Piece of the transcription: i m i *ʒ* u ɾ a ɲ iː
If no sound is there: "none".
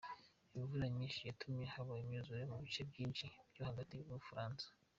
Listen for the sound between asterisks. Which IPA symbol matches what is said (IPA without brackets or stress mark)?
v